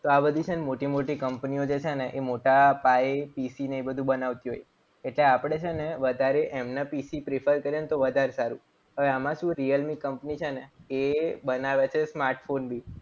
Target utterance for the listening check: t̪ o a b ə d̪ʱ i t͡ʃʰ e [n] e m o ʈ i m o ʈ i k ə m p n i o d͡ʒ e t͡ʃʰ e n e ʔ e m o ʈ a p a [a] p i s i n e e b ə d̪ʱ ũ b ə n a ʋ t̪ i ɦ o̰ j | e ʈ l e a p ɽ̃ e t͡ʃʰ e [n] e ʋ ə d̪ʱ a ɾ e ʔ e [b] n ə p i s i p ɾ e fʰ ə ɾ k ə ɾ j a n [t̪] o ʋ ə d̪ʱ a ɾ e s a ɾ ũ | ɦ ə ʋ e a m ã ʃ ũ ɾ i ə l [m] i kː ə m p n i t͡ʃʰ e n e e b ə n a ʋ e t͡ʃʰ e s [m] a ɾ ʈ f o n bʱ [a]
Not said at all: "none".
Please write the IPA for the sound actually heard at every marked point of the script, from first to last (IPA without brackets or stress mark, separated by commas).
n, e, n, m, t̪, m, m, i